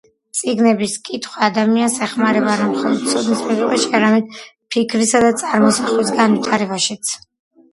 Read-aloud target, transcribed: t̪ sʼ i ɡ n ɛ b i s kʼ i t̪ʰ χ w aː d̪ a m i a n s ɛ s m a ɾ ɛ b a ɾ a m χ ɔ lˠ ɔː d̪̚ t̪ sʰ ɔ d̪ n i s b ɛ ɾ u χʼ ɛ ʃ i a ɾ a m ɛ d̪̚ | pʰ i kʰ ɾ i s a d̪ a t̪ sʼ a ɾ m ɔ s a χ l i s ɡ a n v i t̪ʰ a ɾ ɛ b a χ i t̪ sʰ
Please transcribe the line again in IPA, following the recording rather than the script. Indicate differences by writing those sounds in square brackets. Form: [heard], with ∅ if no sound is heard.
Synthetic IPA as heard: t̪ sʼ i ɡ n ɛ b i s kʼ i t̪ʰ χ w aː d̪ a m i a n s ɛ [χ] m a ɾ ɛ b a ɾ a m χ ɔ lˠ [ɔ] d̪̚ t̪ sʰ ɔ d̪ n i s [m] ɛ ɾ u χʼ ɛ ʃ i a ɾ a m ɛ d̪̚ | pʰ i kʰ ɾ i s a d̪ a t̪ sʼ a ɾ m ɔ s a χ l i s ɡ a n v i t̪ʰ a ɾ ɛ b a [ʃ] i t̪ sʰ